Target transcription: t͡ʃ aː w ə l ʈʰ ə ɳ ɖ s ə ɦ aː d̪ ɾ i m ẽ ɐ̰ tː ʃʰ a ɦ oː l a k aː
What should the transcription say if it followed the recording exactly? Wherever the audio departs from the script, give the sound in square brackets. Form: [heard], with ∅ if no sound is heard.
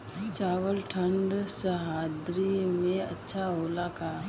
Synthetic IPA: t͡ʃ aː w ə l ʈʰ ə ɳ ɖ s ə ɦ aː d̪ ɾ i m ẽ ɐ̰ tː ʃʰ a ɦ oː l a k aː